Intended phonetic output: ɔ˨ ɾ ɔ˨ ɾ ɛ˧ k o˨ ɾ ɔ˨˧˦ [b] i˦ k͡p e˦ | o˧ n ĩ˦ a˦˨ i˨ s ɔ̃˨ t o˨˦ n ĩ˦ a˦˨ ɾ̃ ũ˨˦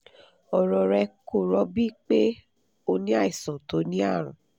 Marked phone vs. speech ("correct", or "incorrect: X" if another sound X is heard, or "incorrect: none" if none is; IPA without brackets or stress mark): correct